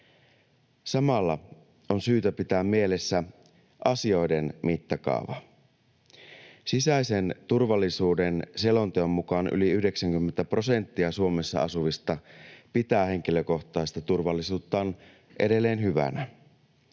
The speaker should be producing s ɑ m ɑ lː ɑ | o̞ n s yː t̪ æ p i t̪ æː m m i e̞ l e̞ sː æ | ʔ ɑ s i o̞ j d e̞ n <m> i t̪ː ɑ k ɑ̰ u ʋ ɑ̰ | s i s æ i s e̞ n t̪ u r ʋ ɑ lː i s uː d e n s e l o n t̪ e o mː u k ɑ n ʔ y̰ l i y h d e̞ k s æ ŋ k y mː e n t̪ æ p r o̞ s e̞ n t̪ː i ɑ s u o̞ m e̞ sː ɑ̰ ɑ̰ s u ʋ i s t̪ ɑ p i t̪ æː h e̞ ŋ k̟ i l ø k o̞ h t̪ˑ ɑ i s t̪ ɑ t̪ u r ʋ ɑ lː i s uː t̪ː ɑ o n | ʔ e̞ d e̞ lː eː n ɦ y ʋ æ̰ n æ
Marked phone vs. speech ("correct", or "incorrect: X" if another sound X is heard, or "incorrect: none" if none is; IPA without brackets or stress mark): correct